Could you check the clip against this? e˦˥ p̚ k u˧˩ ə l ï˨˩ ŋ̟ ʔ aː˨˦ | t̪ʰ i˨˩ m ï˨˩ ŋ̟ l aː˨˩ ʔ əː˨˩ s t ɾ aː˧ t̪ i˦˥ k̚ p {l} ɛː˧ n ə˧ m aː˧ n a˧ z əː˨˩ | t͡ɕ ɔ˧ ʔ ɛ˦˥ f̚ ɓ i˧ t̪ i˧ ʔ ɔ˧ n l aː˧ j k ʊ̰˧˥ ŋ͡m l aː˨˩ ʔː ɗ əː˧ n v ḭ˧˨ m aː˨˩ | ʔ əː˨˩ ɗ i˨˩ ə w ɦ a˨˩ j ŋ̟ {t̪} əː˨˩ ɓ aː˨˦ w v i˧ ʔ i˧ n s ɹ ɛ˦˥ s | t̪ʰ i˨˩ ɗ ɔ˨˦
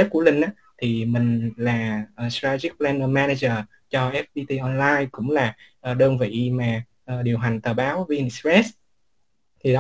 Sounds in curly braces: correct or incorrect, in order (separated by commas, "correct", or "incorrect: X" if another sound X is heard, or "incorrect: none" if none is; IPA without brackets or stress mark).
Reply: correct, correct